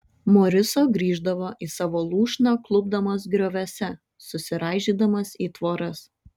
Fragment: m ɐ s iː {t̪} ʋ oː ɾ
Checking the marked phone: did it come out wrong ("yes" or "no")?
no